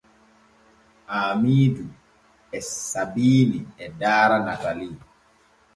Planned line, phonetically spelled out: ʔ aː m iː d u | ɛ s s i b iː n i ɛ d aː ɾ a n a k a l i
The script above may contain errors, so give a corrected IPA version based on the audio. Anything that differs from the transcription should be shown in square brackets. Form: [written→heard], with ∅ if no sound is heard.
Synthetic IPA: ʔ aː m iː d u | ɛ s s [i→a] b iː n i ɛ d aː ɾ a n a k a l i